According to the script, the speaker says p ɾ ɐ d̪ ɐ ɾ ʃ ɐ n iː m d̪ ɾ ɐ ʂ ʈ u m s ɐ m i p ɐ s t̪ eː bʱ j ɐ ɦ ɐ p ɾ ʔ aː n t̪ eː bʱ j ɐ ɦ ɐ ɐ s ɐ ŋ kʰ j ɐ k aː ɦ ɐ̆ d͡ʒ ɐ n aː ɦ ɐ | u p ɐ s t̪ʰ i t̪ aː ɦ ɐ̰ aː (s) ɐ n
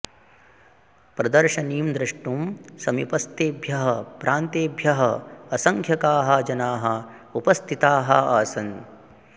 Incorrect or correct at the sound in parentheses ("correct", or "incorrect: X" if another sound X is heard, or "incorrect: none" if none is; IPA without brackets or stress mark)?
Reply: correct